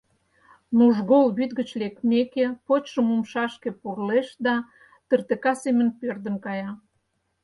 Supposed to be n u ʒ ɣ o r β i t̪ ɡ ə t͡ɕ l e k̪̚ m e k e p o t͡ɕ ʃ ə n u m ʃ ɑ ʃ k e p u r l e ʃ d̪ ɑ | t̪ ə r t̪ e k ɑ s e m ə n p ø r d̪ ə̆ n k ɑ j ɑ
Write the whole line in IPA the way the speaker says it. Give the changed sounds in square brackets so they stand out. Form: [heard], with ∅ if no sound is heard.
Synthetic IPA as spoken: n u ʒ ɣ o [l] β [y] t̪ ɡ ə t͡ɕ l e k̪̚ m e k e p o t͡ɕ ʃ ə [m] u m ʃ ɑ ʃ k e p u r l e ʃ d̪ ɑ | t̪ ə r t̪ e k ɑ s e m ə n p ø r d̪ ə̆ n k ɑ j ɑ